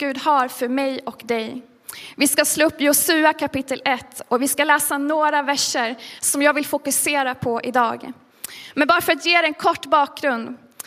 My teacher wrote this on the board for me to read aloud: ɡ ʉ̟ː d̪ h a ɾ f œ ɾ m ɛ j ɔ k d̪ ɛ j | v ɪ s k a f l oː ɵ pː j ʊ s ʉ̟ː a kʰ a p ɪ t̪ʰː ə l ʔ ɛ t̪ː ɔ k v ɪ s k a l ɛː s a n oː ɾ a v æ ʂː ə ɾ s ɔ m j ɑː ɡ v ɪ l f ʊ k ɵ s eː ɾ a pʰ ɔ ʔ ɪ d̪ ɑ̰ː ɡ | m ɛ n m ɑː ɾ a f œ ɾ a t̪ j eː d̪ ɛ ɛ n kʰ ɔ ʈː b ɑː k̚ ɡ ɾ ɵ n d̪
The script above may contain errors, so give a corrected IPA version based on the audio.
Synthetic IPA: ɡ ʉ̟ː d̪ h a ɾ f œ ɾ m ɛ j ɔ k d̪ ɛ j | v ɪ s k a s l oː ɵ pː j ʊ s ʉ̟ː a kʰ a p ɪ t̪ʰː ə l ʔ ɛ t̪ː ɔ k v ɪ s k a l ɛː s a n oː ɾ a v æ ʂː ə ɾ s ɔ m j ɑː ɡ v ɪ l f ʊ k ɵ s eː ɾ a pʰ ɔ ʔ ɪ d̪ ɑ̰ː ɡ | m ɛ n b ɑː ɾ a f œ ɾ a t̪ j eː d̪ ɛ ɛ n kʰ ɔ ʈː b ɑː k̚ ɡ ɾ ɵ n d̪